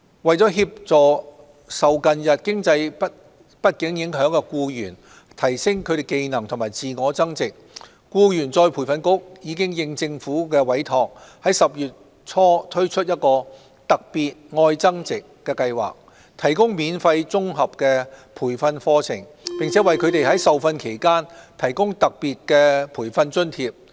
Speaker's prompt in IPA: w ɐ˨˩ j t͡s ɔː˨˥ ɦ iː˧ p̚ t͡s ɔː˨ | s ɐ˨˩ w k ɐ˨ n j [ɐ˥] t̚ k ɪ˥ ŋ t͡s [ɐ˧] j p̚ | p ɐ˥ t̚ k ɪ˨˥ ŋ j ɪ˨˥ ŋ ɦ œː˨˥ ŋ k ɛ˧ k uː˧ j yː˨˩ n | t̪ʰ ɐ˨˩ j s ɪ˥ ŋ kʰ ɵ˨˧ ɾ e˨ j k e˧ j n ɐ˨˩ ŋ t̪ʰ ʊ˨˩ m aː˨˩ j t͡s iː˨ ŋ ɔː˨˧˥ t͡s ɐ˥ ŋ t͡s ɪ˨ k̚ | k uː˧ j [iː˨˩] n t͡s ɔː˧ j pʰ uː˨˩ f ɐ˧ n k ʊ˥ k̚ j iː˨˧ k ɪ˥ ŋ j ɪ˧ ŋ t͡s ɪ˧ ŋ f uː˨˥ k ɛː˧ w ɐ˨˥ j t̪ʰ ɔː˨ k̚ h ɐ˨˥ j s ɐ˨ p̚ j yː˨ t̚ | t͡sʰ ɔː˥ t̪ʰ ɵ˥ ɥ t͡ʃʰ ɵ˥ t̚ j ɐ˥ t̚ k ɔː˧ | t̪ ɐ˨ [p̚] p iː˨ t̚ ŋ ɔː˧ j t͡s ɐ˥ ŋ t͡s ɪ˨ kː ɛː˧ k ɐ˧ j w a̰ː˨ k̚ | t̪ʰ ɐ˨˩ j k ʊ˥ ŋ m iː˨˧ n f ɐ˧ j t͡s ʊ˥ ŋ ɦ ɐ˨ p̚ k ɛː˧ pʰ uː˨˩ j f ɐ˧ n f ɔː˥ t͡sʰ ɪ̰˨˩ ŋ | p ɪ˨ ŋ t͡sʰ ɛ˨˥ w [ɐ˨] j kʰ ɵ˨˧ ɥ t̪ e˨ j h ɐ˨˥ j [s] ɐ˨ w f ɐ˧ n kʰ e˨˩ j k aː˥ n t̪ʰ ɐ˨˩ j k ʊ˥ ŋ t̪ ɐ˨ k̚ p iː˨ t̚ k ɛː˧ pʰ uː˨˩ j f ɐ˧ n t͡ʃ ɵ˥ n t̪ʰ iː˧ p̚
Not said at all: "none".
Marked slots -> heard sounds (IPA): ɐ˨, ɐ˧, yː˨˩, k̚, ɐ˨, s

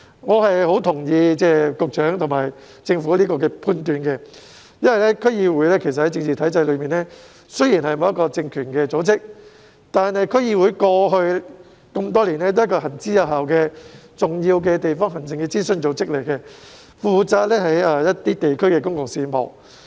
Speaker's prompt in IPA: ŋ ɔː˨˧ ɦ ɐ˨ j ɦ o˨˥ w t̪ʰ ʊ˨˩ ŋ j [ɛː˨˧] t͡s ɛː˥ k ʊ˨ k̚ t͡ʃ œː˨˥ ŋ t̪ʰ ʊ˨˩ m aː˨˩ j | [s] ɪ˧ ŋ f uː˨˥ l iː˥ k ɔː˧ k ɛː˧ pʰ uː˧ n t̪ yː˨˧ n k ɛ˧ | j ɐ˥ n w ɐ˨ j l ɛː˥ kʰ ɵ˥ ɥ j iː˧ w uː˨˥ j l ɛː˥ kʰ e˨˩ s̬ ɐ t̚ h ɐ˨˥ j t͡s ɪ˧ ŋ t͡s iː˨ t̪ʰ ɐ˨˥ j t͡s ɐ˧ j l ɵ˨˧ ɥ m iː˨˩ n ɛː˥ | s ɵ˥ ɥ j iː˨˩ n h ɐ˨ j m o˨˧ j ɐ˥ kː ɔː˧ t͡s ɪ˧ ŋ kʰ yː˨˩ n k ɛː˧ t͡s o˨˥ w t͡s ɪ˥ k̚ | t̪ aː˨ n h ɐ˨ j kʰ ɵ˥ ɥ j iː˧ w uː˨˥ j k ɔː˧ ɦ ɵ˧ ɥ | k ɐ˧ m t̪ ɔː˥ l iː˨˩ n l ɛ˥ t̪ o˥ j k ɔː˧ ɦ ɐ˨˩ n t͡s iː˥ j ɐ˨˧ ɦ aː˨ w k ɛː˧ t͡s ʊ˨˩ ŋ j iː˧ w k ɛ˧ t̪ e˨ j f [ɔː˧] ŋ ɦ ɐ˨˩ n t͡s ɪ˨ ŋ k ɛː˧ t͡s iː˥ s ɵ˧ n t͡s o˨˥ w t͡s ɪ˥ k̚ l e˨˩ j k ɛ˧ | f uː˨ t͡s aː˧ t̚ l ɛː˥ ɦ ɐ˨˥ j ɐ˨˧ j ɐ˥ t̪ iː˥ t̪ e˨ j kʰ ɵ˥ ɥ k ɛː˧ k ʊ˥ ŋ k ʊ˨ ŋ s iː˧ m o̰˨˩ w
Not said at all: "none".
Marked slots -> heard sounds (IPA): iː˨˧, t͡s, ɔː˥

